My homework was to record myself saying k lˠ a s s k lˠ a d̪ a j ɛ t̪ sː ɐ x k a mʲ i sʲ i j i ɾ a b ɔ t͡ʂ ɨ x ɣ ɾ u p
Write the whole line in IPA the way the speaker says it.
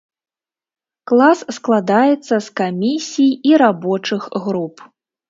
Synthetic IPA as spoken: k lˠ a s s k lˠ a d̪ a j ɛ t̪ sː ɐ s k a mʲ i sʲ i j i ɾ a b ɔ t͡ʂ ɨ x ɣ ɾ u p